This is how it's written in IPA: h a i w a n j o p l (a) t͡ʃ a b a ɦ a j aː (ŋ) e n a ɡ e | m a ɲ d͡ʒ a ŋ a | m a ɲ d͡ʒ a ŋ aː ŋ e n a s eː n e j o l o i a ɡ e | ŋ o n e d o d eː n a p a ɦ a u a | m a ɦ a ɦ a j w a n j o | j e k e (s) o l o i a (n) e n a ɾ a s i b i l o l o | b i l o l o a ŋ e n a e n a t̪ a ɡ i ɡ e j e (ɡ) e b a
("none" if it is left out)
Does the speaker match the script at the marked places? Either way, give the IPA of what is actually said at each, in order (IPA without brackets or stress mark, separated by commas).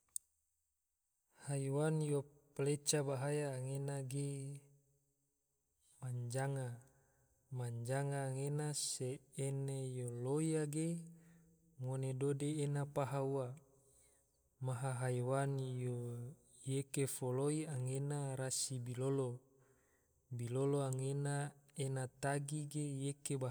e, ŋ, f, ŋ, k